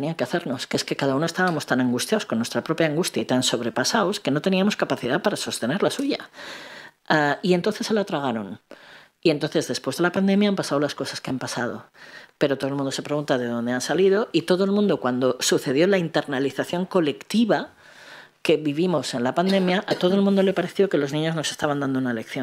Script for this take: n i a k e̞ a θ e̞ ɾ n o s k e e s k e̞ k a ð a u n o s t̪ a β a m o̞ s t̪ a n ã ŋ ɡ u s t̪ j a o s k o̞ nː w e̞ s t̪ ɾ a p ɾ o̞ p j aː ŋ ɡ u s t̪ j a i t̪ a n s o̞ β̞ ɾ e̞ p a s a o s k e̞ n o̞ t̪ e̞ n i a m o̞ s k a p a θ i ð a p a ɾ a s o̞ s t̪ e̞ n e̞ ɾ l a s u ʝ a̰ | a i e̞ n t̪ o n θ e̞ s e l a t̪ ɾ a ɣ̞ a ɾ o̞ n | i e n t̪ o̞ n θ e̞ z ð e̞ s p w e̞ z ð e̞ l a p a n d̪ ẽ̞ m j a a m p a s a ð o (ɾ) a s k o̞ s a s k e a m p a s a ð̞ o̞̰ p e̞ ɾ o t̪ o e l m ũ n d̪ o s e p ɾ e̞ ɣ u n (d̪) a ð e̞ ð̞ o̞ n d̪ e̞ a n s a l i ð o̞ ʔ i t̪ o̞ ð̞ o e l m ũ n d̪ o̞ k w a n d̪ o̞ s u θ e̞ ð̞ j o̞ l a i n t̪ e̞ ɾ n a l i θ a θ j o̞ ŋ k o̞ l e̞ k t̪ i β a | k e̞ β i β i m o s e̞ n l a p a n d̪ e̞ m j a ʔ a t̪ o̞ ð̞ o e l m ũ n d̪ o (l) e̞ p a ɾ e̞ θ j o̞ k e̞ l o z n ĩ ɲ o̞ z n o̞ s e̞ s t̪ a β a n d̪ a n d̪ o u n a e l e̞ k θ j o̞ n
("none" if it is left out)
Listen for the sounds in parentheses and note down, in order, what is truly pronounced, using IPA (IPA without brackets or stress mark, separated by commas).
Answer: l, t̪, l